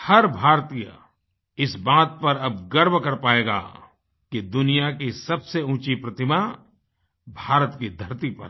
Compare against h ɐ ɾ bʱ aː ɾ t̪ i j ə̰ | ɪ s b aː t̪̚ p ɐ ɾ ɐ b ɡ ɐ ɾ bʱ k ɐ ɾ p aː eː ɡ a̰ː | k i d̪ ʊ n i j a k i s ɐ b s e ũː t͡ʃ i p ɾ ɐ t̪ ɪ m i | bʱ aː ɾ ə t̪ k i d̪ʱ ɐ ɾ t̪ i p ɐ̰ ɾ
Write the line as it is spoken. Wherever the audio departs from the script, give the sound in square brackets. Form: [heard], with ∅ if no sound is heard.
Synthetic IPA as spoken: h ɐ ɾ bʱ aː ɾ t̪ i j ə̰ | ɪ s b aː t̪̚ p ɐ ɾ ɐ b ɡ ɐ ɾ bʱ k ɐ ɾ p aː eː ɡ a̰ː | k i d̪ ʊ n i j a k i s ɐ b s e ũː t͡ʃ i p ɾ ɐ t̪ ɪ m [a] | bʱ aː ɾ ə t̪ k i d̪ʱ ɐ ɾ t̪ i p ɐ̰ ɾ

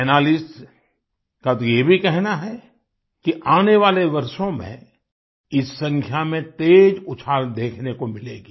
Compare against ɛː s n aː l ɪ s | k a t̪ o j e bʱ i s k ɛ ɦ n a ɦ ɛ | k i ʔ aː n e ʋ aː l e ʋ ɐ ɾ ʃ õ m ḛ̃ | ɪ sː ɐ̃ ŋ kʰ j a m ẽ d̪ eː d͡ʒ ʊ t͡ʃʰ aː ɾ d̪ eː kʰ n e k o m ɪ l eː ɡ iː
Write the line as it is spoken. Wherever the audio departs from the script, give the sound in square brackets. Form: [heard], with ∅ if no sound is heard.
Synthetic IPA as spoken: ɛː [∅] n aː l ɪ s | k a t̪ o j e bʱ i [∅] k ɛ ɦ n a ɦ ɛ | k i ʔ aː n e ʋ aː l e ʋ ɐ ɾ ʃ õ m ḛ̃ | ɪ sː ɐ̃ ŋ kʰ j a m ẽ [t̪] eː d͡ʒ ʊ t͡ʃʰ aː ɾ d̪ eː kʰ n e k o m ɪ l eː ɡ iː

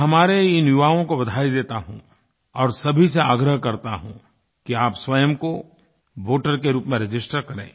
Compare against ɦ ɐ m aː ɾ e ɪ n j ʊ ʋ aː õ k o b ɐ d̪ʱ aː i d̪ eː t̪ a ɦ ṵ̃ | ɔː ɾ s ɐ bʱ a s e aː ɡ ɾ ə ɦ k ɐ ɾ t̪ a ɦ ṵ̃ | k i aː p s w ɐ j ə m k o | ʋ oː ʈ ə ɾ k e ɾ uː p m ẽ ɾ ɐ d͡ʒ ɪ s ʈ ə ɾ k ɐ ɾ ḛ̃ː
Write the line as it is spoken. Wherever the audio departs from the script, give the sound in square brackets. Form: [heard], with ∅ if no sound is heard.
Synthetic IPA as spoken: ɦ ɐ m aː ɾ e ɪ n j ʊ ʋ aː õ k o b ɐ d̪ʱ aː i d̪ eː t̪ a ɦ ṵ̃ | ɔː ɾ s ɐ bʱ [i] s e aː ɡ ɾ ə ɦ k ɐ ɾ t̪ a ɦ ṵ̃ | k i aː p s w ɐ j ə m k o | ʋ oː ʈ ə ɾ k e ɾ uː p m ẽ ɾ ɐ d͡ʒ ɪ s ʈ ə ɾ k ɐ ɾ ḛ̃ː

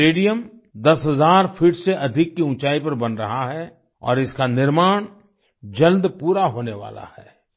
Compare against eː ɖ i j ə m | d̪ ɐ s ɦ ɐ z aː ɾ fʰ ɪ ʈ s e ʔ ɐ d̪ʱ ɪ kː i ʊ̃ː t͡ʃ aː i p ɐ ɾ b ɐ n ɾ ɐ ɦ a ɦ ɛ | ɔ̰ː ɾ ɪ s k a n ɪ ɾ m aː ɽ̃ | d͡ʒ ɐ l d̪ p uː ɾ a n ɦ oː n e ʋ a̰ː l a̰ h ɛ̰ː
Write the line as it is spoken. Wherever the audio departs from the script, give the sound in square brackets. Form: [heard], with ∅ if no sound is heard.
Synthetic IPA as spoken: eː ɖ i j ə m | d̪ ɐ s ɦ ɐ z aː ɾ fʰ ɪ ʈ s e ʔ ɐ d̪ʱ ɪ kː i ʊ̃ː t͡ʃ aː i p ɐ ɾ b ɐ n ɾ ɐ ɦ a ɦ ɛ | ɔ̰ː ɾ ɪ s k a n ɪ ɾ m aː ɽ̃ | d͡ʒ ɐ l d̪ p uː ɾ a [∅] ɦ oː n e ʋ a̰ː l a̰ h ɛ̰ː

